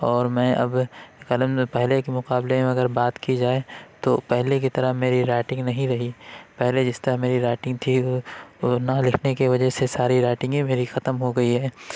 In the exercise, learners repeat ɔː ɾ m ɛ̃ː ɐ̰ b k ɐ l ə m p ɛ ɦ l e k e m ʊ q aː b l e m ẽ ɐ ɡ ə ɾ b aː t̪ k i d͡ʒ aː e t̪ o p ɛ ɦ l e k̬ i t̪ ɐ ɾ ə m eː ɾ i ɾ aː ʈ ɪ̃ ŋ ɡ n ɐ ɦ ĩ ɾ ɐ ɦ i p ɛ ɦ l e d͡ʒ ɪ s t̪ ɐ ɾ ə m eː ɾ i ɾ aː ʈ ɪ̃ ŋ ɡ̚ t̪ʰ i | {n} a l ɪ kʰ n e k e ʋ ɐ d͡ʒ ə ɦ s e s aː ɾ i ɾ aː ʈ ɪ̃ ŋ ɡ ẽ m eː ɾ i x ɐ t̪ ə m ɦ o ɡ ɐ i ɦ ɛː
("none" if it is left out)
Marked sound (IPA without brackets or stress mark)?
n